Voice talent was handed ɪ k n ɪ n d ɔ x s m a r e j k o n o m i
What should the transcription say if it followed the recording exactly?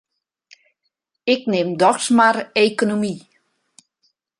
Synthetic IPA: ɪ k n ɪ m d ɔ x s m a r e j k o n o m i